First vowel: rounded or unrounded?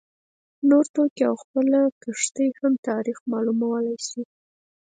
rounded